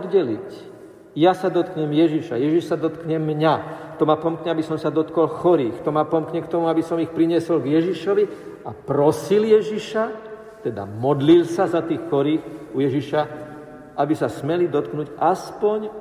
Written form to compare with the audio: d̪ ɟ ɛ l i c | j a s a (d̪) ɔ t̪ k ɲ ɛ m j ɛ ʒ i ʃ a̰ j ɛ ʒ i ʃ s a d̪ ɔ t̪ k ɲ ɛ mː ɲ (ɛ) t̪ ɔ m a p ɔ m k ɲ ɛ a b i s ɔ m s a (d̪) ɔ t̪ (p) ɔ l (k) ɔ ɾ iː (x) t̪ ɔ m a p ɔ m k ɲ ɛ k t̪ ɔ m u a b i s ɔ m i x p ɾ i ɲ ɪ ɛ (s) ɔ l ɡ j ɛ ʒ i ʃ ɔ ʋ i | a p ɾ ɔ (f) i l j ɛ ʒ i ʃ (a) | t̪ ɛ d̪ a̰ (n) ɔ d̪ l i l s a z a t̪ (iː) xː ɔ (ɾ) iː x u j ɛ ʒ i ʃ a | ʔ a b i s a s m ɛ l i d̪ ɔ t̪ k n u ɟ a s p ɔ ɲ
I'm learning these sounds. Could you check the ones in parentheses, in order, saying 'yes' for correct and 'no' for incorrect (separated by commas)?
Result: yes, no, yes, no, no, yes, yes, no, yes, no, yes, yes